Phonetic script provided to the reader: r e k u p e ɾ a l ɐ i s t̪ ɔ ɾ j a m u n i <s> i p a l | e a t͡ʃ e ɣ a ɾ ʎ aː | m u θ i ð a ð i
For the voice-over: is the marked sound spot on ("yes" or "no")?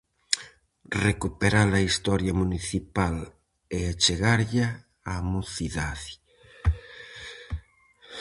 no